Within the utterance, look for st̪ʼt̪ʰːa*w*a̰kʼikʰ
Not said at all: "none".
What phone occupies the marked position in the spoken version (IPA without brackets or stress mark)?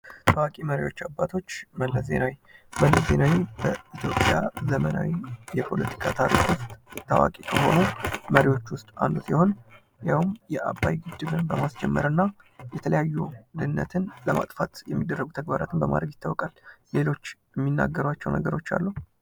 w